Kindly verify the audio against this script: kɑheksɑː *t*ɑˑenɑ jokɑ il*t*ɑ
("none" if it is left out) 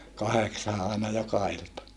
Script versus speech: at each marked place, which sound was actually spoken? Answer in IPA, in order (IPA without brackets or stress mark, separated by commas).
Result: ʔ, t